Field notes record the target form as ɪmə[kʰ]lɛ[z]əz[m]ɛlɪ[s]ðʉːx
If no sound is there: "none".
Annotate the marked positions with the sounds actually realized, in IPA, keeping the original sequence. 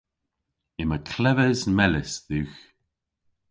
kʰ, v, m, s

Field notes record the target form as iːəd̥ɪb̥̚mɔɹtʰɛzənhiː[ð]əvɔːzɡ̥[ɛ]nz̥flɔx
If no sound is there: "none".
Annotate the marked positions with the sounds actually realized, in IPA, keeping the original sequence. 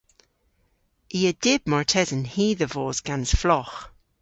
ð, a

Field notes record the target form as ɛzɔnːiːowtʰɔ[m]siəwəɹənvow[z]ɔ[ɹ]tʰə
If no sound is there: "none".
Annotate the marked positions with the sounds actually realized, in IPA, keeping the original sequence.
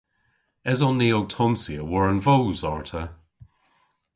m, z, ɹ

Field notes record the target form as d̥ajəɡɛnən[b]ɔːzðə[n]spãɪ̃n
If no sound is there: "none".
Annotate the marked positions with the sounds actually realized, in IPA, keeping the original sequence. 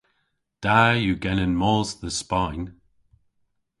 m, none

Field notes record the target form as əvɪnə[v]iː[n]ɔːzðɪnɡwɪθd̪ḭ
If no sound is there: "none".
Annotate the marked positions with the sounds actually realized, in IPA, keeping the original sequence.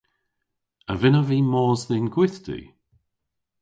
v, m

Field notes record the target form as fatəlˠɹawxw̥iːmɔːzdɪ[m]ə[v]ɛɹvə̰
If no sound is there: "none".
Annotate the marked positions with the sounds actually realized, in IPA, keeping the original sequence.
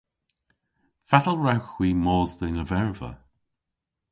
n, v

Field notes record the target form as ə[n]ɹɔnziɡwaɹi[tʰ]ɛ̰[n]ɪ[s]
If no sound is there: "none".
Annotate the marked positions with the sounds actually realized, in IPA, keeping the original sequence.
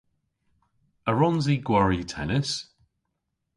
none, tʰ, n, s

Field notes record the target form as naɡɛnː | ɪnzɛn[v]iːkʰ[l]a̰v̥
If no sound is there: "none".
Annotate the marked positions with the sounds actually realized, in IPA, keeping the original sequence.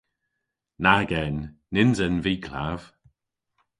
v, l

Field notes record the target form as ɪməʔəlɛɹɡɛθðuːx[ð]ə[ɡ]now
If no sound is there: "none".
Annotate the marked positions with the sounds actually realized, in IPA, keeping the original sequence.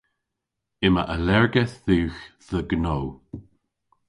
ð, ɡ

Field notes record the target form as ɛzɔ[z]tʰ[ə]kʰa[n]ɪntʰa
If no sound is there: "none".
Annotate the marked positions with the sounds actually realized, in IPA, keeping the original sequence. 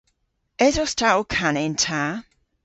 s, a, n

